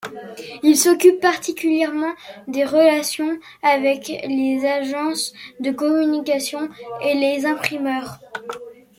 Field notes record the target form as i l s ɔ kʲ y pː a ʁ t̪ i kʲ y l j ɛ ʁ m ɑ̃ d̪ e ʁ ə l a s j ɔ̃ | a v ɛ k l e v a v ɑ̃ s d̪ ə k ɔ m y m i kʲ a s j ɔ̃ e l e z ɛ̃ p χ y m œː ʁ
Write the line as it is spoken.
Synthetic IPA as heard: i l s ɔ kʲ y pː a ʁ t̪ i kʲ y l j ɛ ʁ m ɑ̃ d̪ e ʁ ə l a s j ɔ̃ | a v ɛ k l e z a ʒ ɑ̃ s d̪ ə k ɔ m y n i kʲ a s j ɔ̃ e l e z ɛ̃ p χ i m œː ʁ